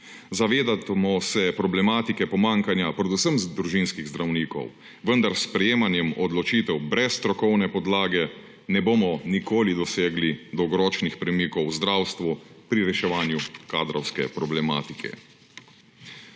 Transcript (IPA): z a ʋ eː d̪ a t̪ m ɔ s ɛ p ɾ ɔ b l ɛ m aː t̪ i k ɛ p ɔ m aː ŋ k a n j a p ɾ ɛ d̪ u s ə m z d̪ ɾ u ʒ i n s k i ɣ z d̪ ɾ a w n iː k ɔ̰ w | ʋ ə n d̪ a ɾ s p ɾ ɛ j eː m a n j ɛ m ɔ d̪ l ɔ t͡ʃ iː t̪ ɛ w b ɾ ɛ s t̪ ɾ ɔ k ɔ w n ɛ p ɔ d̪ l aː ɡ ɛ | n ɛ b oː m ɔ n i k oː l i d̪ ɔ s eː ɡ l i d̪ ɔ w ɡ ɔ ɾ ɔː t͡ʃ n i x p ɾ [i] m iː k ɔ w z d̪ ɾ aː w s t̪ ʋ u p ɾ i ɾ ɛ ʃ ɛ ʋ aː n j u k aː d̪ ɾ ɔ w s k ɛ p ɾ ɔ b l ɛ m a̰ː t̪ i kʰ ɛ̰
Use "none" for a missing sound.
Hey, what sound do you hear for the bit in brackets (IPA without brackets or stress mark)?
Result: ɛ